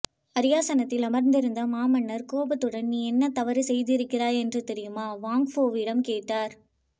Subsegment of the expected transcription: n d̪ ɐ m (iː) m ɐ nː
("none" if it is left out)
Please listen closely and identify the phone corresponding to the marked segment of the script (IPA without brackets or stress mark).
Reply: aː